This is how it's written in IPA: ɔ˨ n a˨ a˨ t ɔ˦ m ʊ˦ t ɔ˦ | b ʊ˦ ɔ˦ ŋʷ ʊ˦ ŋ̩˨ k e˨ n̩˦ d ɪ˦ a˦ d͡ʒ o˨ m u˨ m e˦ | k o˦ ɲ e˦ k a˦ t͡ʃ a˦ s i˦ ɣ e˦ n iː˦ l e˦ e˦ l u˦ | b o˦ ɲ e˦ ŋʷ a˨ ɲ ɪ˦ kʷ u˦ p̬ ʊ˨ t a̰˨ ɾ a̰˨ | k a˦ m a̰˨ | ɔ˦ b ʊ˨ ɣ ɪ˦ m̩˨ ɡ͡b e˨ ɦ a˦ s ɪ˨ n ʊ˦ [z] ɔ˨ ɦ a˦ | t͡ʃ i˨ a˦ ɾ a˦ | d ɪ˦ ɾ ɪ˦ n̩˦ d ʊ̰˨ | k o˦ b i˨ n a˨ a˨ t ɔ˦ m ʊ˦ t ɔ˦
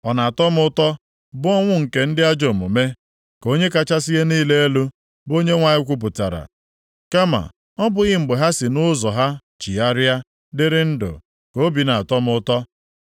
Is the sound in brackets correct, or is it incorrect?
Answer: correct